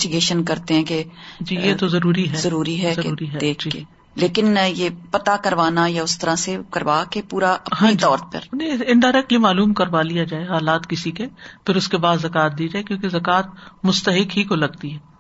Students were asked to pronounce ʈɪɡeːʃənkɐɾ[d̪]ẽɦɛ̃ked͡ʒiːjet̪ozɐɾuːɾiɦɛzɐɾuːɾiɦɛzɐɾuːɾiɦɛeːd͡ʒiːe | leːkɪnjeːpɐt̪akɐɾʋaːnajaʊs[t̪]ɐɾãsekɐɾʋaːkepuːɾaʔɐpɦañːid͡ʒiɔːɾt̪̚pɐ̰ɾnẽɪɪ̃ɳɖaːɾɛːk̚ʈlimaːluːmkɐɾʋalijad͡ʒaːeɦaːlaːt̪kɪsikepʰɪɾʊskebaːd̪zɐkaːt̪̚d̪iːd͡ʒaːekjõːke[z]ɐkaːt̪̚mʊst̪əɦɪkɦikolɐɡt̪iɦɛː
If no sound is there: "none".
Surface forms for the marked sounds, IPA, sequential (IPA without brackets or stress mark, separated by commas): t̪, t̪, z